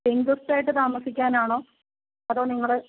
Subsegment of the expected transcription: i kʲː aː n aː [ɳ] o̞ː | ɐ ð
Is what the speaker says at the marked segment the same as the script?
yes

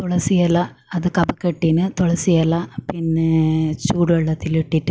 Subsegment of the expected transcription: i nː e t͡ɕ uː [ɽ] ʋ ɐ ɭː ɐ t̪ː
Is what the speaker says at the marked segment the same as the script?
yes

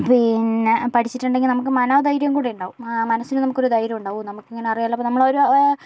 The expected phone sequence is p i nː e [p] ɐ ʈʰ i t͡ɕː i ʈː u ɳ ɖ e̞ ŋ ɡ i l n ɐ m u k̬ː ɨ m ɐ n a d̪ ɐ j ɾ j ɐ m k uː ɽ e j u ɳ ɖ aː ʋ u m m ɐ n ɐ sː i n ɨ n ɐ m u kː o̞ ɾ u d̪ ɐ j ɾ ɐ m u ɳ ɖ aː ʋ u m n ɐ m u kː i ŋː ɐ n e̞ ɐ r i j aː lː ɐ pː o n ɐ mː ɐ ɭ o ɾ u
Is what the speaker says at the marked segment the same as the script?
yes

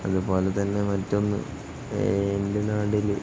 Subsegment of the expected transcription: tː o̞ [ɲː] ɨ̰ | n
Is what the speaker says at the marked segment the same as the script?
no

